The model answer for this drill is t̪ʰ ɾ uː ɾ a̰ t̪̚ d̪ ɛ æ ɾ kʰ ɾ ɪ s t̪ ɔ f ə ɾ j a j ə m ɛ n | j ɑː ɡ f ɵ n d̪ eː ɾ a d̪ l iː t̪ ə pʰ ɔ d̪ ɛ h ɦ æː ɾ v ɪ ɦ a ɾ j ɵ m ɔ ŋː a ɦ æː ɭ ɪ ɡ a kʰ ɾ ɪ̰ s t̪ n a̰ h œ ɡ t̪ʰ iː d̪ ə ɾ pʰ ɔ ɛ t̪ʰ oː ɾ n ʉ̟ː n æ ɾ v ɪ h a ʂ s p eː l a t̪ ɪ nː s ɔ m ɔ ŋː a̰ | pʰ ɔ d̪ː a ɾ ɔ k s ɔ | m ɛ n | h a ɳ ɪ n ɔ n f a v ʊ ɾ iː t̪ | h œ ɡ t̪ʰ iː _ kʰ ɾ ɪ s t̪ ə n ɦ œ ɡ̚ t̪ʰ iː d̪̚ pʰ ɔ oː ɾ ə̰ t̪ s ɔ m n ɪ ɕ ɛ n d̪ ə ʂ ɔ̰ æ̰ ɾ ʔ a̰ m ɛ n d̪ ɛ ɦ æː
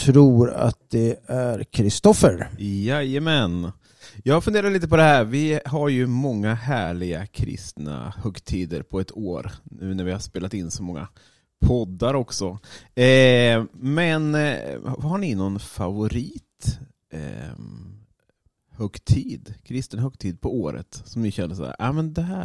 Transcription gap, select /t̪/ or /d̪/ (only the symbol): d̪